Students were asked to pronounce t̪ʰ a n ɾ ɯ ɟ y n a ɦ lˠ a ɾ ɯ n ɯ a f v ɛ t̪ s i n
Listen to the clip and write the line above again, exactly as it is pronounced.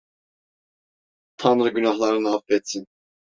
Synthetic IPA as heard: t̪ʰ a n ɾ ɯ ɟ y n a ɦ lˠ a ɾ ɯ n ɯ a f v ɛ t̪ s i n